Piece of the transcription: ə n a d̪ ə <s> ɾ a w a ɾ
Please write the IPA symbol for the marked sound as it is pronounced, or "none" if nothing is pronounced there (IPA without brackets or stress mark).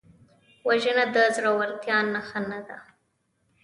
z